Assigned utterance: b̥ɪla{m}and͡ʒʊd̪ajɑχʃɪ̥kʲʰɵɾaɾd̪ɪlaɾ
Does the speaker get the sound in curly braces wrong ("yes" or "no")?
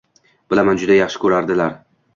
no